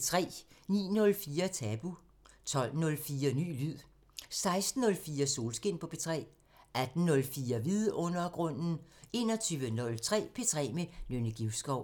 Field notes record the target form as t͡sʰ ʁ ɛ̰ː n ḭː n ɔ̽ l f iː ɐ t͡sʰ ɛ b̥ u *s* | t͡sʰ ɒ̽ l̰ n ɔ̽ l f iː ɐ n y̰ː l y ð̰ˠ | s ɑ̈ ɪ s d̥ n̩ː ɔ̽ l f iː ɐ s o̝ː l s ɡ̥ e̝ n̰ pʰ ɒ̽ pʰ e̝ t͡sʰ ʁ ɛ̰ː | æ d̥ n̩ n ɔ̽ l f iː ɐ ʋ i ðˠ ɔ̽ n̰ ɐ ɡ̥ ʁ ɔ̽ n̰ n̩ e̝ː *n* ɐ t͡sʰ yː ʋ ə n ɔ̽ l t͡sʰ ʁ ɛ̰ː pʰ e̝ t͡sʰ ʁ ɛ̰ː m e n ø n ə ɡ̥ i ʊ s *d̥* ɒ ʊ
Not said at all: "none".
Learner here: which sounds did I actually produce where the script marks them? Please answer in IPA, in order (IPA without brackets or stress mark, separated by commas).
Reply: none, n, ɡ̥